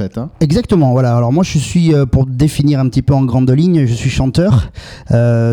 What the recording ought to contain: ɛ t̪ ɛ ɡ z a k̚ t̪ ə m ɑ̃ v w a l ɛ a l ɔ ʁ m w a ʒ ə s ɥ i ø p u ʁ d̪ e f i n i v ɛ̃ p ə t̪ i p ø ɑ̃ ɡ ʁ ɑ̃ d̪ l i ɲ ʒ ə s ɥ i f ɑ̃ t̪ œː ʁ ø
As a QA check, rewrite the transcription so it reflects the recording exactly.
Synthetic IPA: ɛ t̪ ɛ ɡ z a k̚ t̪ ə m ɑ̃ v w a l a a l ɔ ʁ m w a ʒ ə s ɥ i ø p u ʁ d̪ e f i n i ʁ ɛ̃ p ə t̪ i p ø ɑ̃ ɡ ʁ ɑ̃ d̪ l i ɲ ʒ ə s ɥ i ʃ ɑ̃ t̪ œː ʁ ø